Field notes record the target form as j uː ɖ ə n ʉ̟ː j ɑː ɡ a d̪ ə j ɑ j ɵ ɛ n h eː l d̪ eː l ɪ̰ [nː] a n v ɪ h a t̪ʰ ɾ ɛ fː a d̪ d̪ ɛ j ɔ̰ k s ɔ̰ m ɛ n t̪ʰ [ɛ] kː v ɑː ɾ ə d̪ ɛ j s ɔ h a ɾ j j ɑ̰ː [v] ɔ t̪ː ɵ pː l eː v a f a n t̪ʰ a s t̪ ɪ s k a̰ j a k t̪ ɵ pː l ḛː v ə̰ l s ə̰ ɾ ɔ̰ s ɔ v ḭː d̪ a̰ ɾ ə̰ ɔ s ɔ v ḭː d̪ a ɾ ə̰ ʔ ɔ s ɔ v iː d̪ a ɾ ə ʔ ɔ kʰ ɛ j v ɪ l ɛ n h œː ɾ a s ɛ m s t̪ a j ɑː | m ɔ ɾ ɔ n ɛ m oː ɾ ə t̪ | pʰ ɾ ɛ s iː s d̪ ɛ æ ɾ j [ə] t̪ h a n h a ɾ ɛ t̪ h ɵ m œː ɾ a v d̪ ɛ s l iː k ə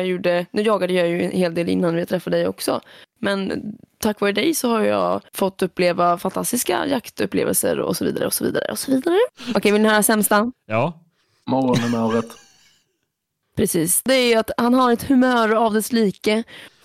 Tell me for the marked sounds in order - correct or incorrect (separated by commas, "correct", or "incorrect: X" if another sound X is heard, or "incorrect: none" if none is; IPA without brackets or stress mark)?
correct, incorrect: a, incorrect: f, incorrect: a